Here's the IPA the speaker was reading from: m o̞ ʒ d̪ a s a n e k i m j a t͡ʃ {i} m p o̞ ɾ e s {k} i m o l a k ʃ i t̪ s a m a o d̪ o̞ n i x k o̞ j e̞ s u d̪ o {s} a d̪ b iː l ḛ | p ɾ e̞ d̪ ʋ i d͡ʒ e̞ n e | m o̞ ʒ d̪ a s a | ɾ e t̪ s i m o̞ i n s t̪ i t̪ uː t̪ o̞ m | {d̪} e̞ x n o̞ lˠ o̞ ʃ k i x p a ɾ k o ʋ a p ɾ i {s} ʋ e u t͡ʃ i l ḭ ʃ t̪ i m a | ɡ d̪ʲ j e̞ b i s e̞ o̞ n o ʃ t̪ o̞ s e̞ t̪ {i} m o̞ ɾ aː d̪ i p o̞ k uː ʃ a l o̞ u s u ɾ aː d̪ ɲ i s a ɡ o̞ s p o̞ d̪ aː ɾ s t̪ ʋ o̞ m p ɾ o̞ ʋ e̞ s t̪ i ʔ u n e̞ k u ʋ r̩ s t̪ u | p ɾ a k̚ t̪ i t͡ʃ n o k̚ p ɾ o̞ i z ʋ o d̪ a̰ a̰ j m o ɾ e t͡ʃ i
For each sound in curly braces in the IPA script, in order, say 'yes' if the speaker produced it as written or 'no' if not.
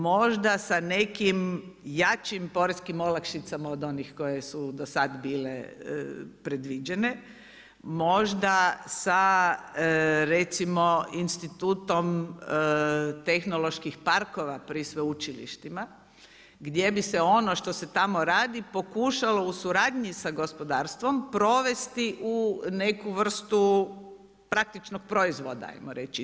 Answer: yes, yes, yes, no, yes, no

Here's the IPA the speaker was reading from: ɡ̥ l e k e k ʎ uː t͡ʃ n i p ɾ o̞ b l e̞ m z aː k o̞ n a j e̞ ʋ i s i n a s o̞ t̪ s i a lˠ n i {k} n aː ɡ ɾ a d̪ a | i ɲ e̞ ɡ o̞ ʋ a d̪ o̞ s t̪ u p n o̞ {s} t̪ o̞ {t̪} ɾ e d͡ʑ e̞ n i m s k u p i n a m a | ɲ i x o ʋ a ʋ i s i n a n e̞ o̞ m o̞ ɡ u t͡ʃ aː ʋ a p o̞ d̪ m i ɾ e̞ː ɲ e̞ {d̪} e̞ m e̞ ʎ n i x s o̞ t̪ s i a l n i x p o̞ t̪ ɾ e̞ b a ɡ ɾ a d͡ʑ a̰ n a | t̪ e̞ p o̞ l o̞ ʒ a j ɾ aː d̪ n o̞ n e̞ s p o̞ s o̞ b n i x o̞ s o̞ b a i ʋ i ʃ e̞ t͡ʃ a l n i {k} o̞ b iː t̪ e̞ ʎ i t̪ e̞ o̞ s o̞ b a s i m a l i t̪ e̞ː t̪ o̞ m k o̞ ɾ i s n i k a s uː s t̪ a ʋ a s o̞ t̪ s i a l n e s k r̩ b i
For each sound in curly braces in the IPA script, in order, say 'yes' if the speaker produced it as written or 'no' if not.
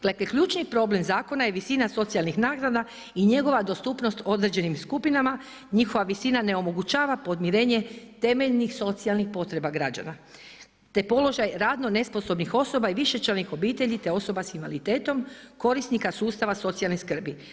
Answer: no, yes, no, no, no

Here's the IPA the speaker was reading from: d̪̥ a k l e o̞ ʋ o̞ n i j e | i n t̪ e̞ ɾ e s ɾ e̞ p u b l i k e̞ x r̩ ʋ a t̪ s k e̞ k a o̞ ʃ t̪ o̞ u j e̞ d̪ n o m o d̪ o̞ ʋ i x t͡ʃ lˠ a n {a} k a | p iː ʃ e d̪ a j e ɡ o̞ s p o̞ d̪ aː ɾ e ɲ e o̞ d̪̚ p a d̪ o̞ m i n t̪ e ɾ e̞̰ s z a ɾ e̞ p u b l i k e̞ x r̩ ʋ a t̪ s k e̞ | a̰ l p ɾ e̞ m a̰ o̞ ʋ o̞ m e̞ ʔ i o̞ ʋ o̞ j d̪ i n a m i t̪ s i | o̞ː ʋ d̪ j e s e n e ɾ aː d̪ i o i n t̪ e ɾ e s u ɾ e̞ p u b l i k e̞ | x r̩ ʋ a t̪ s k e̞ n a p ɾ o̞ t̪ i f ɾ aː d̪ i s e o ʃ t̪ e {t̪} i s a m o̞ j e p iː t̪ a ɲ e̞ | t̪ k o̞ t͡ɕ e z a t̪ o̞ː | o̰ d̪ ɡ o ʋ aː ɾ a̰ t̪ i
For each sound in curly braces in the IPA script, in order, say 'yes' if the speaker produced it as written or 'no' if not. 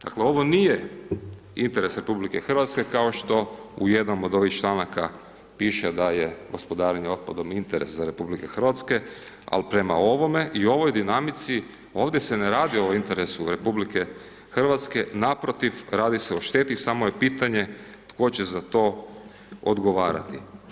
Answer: yes, yes

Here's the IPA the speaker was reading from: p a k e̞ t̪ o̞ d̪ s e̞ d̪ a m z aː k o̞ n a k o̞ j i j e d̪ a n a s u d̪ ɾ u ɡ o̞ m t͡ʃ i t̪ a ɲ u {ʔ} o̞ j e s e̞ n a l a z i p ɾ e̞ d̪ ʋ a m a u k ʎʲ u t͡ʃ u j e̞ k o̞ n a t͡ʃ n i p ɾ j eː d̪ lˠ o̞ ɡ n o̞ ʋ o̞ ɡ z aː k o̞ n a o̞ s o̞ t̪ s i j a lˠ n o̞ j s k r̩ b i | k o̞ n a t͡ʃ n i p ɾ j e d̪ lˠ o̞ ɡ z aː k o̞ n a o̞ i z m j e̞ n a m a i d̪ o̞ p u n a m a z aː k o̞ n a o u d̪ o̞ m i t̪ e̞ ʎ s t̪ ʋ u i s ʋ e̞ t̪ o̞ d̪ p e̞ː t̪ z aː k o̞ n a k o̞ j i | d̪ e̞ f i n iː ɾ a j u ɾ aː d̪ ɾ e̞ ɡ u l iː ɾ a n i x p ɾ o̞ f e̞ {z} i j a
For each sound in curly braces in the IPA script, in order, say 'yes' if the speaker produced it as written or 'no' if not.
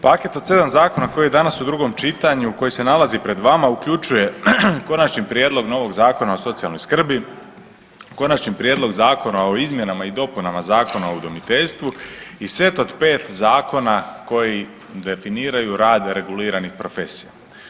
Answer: no, no

